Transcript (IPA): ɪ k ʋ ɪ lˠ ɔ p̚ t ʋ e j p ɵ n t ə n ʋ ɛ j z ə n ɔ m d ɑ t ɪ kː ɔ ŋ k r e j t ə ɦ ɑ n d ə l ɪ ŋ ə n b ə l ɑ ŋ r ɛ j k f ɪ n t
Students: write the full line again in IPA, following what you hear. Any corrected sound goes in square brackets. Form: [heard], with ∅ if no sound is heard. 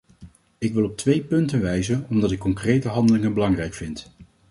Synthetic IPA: ɪ k ʋ ɪ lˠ ɔ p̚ t ʋ e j p ɵ n t ə n ʋ ɛ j z ə n ɔ m d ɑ t ɪ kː ɔ ŋ k r e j t ə ɦ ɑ n d ə l ɪ ŋ ə n b ə l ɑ ŋ r ɛ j k f ɪ n t